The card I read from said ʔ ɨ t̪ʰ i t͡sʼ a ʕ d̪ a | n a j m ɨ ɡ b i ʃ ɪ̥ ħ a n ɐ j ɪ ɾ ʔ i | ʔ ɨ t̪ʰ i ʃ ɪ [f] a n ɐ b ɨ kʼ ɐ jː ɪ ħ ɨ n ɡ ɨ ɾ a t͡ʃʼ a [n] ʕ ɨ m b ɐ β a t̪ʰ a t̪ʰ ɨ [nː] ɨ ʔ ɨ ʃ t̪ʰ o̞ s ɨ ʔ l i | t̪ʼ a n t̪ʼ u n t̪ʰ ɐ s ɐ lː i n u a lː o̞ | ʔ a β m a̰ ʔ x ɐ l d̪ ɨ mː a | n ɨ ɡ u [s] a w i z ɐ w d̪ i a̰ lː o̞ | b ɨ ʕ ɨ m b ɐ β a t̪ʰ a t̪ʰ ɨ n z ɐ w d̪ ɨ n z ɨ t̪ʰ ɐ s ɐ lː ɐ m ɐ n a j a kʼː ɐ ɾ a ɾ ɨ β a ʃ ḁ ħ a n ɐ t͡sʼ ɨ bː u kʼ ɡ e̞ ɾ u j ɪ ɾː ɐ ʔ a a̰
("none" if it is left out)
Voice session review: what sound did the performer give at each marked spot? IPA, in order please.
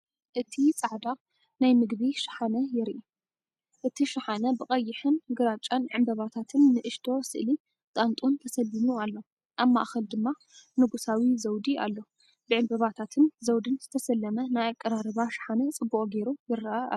ħ, n, nː, s

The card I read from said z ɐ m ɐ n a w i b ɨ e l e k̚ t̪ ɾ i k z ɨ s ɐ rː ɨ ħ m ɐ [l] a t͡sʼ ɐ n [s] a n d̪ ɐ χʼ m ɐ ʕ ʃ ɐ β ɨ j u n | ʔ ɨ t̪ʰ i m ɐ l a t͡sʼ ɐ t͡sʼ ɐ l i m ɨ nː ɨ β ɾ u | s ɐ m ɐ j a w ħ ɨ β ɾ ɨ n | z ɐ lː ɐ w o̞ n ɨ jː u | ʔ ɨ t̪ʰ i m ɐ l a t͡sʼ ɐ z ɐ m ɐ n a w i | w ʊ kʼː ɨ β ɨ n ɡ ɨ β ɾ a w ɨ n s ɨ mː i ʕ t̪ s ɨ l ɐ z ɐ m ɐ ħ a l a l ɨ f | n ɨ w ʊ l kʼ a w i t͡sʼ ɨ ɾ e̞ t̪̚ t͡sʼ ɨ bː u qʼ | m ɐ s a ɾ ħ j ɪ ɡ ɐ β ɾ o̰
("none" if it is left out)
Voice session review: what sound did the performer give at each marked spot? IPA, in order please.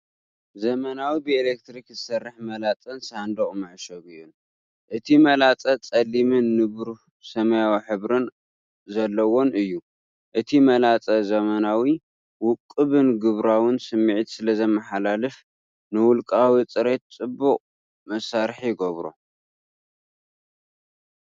l, s

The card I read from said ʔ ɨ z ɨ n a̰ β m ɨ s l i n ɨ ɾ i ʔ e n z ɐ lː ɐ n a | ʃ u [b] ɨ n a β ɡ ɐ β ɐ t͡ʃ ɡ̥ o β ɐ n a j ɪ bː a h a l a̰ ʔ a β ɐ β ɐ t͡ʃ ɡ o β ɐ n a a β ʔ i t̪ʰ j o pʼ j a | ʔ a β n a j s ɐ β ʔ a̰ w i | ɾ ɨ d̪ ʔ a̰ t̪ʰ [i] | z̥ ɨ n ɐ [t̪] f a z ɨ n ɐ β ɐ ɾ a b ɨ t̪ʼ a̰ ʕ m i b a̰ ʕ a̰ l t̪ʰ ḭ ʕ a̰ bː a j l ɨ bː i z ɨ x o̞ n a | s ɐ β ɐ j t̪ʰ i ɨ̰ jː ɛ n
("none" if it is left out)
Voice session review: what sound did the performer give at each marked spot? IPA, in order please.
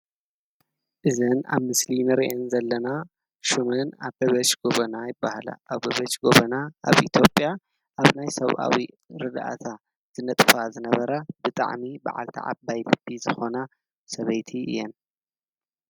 m, a, t̪ʼ

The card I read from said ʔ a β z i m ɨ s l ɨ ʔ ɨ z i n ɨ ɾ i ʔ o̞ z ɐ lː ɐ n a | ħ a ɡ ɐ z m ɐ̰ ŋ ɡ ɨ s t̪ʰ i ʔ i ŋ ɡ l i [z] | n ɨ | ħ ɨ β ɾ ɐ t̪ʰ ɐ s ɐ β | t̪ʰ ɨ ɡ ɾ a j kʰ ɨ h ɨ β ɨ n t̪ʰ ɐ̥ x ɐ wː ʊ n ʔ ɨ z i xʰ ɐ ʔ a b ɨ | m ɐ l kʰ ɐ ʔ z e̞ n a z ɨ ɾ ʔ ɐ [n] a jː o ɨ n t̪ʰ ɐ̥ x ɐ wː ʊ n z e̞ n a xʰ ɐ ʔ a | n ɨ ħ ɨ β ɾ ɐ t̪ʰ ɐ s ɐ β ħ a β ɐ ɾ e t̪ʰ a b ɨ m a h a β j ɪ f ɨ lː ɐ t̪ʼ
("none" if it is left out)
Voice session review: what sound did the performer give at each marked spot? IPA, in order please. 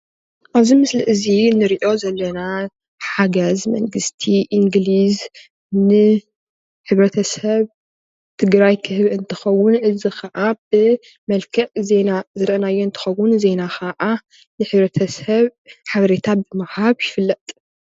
z, n

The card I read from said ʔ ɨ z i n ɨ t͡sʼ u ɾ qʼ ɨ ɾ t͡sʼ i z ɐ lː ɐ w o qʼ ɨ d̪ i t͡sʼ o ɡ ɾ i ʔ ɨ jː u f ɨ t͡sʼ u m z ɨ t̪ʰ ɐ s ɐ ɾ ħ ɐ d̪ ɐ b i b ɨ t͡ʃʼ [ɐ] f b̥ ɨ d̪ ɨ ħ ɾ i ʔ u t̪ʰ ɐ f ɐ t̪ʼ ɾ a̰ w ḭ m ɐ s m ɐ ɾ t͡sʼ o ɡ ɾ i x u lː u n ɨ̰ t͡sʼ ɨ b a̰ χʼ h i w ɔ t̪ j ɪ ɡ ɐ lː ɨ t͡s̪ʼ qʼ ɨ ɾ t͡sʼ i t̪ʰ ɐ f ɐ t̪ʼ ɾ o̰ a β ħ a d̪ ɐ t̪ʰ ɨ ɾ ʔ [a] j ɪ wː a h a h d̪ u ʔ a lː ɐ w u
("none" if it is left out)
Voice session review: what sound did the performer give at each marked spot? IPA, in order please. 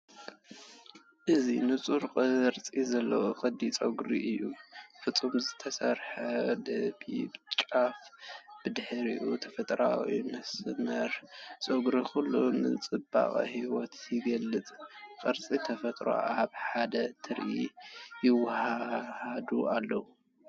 a, i

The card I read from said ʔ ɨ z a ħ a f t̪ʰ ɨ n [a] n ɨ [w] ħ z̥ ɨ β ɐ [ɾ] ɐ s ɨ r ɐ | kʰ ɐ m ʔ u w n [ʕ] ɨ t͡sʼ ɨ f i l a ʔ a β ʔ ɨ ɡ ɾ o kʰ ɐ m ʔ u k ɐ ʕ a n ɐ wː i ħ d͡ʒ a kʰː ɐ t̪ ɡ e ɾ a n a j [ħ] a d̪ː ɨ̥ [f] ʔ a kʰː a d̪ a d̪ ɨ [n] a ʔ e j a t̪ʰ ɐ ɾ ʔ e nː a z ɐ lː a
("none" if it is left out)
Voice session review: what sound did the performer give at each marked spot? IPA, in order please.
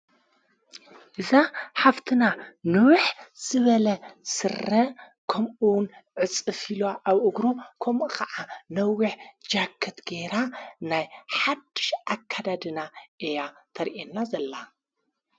a, w, l, ʕ, ħ, ʃ, n

